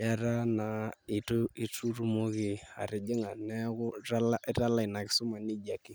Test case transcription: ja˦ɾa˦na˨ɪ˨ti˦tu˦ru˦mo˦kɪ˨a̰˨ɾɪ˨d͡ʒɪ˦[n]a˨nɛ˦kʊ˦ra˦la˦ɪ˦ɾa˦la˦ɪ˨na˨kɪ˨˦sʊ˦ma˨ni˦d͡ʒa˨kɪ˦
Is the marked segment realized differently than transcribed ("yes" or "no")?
yes